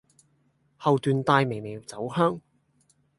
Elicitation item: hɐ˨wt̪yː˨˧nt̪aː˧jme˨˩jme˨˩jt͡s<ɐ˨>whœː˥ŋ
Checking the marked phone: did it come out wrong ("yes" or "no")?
yes